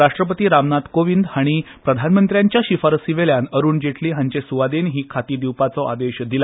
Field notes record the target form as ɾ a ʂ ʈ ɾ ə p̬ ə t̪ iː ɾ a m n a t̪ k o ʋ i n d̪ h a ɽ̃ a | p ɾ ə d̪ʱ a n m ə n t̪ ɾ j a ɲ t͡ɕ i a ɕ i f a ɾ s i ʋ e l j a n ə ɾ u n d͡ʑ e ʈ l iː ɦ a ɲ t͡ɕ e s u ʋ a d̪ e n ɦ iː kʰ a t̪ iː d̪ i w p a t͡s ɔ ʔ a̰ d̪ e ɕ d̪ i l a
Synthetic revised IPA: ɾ a ʂ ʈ ɾ ə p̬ ə t̪ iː ɾ a m n a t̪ k o ʋ i n d̪ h a ɽ̃ i | p ɾ ə d̪ʱ a n m ə n t̪ ɾ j a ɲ t͡ɕ j a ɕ i f a ɾ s i ʋ e l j a n ə ɾ uː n d͡ʑ e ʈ l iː ɦ a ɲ t͡ɕ e s u ʋ a d̪ e n ɦ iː kʰ a t̪ iː d̪ i w p a t͡s ɔ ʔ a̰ d̪ e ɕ d̪ i l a